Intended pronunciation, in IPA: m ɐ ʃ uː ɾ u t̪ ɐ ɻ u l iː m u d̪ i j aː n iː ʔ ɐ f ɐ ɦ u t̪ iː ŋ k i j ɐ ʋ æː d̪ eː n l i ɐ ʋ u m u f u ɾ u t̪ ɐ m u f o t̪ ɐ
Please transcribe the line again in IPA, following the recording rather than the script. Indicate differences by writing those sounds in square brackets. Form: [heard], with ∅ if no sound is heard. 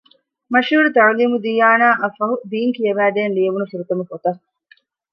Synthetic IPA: m ɐ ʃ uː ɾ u t̪ ɐ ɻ u l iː m u d̪ i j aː n [aː] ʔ ɐ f ɐ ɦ u [d̪] iː ŋ k i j ɐ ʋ æː d̪ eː n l i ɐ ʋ u [n] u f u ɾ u t̪ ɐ m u f o t̪ ɐ

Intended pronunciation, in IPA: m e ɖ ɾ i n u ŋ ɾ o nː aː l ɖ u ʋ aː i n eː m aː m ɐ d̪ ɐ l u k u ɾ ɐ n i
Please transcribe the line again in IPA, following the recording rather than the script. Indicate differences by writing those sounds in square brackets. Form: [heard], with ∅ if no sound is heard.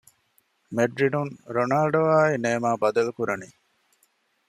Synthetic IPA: m e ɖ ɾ i n u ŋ ɾ o [n] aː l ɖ [o] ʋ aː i n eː m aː [b] ɐ d̪ ɐ l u k u ɾ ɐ n i

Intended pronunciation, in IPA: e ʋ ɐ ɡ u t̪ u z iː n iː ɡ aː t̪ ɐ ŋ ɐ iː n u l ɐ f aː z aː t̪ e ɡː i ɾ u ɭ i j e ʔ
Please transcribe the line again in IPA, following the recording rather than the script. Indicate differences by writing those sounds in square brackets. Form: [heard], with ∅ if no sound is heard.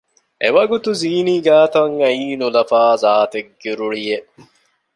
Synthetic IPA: e ʋ ɐ ɡ u t̪ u z iː n iː ɡ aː t̪ ɐ ŋ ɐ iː n u l ɐ f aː z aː t̪ e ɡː i ɾ u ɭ i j e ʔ

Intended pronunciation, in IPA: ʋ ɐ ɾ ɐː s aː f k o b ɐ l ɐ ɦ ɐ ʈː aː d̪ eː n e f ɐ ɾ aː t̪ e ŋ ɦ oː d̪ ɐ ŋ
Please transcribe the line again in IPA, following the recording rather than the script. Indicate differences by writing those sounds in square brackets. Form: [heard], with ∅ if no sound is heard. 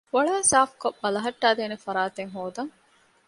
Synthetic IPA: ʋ ɐ [ɭ] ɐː s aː f k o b ɐ l ɐ ɦ ɐ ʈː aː d̪ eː n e f ɐ ɾ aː t̪ e ŋ ɦ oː d̪ ɐ ŋ

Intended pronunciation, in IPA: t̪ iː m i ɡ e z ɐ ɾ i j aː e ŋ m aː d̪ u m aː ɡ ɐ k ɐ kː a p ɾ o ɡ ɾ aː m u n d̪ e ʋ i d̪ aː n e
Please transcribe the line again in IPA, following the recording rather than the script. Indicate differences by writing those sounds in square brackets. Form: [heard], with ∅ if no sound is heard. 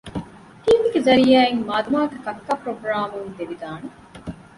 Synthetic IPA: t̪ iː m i ɡ e z ɐ ɾ i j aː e ŋ m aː d̪ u m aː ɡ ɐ k ɐ kː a p ɾ o ɡ ɾ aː m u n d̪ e ʋ i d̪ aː n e

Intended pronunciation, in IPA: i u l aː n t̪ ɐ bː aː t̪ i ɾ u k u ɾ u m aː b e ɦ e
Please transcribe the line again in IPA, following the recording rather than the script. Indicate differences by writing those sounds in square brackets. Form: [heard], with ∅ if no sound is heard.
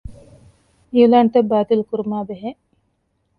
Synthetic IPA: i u l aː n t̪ ɐ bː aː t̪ i [l] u k u ɾ u m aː b e ɦ e

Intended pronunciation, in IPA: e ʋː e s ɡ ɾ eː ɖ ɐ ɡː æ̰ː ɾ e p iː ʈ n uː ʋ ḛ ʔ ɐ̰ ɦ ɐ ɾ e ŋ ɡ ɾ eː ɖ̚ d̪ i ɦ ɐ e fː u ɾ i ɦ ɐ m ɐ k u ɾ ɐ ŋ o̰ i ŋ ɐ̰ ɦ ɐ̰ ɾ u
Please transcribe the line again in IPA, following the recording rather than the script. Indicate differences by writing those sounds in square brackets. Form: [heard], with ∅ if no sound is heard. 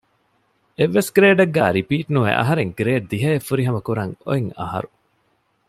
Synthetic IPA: e ʋː e s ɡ ɾ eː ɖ ɐ ɡː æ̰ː ɾ [i] p iː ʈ n [u] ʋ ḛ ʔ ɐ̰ ɦ ɐ ɾ e ŋ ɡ ɾ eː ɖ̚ d̪ i ɦ ɐ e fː u ɾ i ɦ ɐ m ɐ k u ɾ ɐ ŋ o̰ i ŋ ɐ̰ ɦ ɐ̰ ɾ u

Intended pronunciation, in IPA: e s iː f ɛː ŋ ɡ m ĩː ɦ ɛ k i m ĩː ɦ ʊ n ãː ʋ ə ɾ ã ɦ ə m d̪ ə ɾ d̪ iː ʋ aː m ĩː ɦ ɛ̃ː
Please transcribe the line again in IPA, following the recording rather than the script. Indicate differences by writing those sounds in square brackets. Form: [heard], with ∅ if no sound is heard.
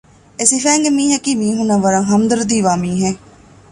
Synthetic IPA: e s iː f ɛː ŋ ɡ m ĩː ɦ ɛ k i m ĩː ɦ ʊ n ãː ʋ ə ɾ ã ɦ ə m d̪ ə ɾ d̪ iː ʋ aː m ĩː ɦ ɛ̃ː

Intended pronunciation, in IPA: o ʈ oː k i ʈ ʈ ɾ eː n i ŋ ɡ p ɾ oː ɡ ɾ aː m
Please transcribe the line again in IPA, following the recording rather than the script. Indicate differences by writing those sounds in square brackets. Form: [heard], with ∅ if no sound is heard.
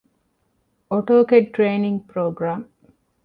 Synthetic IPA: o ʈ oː k [e] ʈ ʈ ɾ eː n i ŋ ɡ p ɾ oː ɡ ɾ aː m

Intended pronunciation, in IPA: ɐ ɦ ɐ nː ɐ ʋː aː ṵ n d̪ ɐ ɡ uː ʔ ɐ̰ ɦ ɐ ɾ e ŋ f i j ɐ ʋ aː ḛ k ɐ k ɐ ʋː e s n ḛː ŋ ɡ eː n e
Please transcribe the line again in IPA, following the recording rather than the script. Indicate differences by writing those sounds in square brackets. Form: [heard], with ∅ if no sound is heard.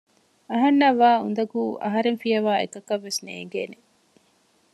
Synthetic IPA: ɐ ɦ ɐ nː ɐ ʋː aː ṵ n d̪ ɐ ɡ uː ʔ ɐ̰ ɦ ɐ ɾ e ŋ f i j ɐ ʋ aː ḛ k ɐ k ɐ ʋː e s n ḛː ŋ ɡ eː n e

